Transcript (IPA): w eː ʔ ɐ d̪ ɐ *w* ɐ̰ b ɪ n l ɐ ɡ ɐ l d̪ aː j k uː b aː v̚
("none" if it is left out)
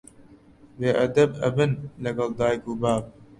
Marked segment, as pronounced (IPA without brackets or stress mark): b